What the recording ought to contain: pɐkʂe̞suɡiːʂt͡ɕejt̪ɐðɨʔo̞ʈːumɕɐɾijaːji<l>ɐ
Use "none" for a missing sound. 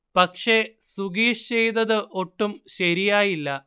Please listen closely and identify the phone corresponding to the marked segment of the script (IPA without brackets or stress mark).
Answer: lː